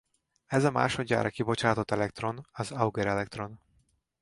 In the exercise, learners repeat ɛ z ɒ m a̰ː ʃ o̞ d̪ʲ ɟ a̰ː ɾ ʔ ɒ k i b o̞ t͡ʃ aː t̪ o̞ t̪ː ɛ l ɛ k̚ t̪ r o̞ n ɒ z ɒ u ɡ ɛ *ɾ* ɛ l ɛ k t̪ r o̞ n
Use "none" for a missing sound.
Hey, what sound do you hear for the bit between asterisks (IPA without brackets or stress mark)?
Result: ɾ